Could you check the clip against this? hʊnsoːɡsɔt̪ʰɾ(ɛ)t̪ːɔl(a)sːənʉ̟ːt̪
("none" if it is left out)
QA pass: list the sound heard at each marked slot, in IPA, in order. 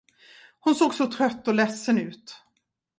œ, ɛ

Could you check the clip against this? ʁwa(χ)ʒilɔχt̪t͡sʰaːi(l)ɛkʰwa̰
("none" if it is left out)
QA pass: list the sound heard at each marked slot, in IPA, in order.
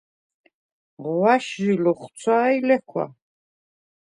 ʃ, l

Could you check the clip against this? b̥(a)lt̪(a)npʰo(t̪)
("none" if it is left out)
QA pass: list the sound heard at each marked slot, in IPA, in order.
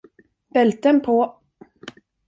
ɛ, ə, none

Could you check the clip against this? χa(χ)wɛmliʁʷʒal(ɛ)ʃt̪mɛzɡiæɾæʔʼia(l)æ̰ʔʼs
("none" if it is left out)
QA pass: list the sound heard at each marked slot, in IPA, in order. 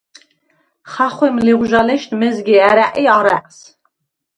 χ, ɛ, ɾ

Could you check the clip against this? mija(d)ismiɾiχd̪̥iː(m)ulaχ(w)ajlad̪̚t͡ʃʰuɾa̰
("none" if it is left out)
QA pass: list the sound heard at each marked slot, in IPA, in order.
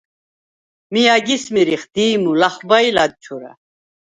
ɡ, m, b

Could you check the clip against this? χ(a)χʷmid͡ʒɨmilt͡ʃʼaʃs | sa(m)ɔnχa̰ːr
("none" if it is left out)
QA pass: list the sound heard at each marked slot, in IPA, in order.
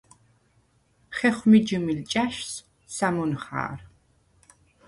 ɛ, m

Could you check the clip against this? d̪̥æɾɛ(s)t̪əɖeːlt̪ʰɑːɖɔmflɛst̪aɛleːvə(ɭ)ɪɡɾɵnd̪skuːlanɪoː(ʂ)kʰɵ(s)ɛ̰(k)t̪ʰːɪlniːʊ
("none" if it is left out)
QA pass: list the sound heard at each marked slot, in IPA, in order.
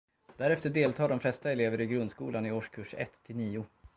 f, ɾ, ʂ, ʂ, none

